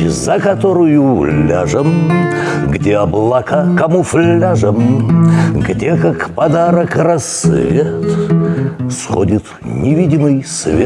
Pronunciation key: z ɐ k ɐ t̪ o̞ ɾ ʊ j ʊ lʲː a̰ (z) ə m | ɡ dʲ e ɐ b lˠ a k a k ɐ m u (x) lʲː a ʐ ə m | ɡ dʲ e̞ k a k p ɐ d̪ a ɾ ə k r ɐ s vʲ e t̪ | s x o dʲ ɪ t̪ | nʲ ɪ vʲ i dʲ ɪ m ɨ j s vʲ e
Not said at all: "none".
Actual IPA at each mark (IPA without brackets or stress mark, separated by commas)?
ʐ, f